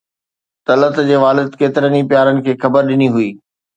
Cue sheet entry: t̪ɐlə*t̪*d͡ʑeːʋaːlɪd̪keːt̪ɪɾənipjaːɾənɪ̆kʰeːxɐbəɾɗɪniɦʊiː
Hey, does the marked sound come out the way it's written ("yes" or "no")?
yes